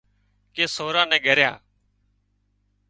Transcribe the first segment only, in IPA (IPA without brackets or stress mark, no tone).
k